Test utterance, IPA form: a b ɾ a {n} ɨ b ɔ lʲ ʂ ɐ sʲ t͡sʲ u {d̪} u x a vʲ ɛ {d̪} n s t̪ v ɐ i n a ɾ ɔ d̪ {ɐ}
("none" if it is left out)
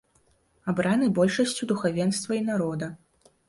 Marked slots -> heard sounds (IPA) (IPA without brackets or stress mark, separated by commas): n, d̪, none, ɐ